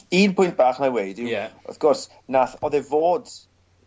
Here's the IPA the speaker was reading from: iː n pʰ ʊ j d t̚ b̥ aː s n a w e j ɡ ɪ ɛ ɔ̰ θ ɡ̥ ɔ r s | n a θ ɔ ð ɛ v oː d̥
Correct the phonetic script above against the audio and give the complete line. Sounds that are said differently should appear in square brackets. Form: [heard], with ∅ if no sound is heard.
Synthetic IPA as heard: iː n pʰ ʊ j [n] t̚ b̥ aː [χ] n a w e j [d] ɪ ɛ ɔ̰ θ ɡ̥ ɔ r s | n a θ ɔ ð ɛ v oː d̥